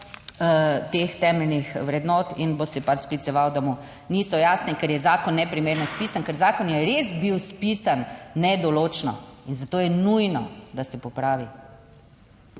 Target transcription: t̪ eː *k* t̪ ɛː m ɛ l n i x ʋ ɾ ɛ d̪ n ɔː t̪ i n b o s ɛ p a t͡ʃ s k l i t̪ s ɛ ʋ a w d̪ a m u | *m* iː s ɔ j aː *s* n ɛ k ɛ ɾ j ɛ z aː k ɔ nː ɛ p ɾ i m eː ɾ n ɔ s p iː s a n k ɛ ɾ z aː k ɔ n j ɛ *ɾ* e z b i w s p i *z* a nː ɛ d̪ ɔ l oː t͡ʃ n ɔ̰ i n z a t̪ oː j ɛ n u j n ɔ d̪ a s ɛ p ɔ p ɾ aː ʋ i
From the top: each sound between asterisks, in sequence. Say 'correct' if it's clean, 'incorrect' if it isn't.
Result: incorrect: x, incorrect: n, correct, correct, incorrect: s

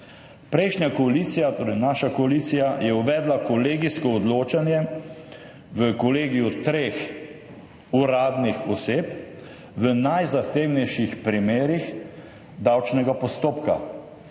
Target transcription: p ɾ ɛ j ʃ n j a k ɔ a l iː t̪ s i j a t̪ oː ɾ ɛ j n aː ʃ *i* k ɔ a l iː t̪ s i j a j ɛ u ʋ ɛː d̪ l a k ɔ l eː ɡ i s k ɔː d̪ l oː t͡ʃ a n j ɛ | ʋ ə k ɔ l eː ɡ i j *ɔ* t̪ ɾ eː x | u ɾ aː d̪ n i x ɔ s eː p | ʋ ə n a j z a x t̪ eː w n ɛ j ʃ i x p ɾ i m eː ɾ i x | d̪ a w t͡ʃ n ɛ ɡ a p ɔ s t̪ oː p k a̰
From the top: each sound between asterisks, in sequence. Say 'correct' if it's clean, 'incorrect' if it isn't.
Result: incorrect: a, incorrect: u

